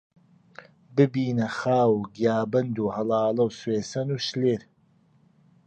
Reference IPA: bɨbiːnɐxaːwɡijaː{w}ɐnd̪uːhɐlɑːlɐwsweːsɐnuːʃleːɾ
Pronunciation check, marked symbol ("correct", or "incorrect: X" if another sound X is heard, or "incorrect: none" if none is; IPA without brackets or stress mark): incorrect: b